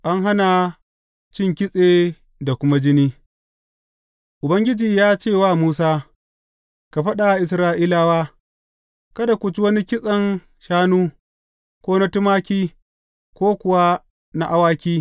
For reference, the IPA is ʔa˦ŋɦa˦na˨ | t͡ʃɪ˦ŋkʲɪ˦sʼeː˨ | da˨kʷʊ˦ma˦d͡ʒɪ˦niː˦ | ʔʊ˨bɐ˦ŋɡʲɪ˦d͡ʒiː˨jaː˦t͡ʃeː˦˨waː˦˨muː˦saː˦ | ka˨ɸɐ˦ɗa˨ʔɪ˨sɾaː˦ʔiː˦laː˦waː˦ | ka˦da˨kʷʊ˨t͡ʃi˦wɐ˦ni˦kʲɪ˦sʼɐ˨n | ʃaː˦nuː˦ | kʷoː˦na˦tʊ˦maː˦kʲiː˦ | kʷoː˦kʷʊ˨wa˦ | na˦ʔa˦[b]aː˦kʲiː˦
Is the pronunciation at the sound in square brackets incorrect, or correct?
incorrect